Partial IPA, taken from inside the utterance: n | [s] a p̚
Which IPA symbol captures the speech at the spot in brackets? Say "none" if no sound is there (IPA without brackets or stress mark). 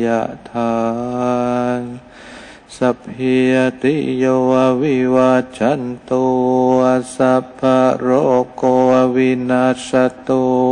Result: s